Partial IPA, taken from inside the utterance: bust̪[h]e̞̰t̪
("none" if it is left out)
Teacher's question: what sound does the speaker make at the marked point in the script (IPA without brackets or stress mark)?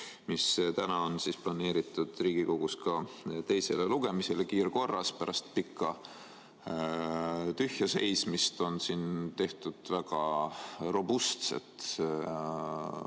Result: s